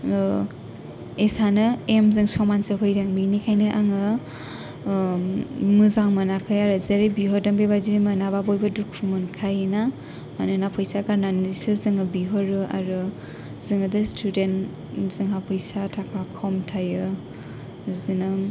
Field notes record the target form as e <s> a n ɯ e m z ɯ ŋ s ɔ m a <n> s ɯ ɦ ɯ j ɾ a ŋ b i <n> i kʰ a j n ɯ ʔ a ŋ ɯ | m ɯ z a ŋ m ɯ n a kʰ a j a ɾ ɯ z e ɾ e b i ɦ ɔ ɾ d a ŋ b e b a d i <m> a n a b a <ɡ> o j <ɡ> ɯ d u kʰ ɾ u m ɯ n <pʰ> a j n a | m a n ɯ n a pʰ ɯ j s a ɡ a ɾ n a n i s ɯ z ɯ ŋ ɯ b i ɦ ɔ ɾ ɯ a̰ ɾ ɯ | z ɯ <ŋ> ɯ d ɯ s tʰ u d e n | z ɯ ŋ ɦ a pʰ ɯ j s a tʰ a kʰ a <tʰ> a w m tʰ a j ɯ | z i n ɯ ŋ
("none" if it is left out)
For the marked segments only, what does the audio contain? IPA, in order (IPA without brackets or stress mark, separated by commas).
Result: s, n, n, m, b, b, kʰ, ŋ, kʰ